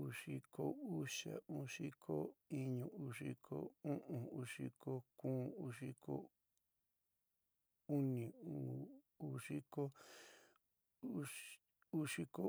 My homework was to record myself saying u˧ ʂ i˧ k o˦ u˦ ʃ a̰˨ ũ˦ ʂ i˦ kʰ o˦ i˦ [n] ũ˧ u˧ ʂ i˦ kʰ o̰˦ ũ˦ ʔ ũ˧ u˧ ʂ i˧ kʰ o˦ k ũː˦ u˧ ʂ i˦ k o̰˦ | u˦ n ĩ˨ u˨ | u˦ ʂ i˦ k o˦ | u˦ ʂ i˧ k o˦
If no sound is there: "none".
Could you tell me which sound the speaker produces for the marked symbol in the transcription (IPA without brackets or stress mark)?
ɲ